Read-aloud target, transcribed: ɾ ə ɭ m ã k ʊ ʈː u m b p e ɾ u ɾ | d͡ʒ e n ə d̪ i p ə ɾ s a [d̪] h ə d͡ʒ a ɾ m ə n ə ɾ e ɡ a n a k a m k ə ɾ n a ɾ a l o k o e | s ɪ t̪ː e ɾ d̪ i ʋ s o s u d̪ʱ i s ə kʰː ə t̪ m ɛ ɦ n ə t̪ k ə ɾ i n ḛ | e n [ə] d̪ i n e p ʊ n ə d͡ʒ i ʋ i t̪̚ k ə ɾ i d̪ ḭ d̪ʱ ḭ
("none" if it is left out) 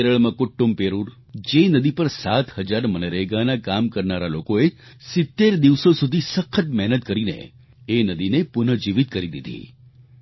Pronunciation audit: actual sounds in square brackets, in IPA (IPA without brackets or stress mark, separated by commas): t̪, ə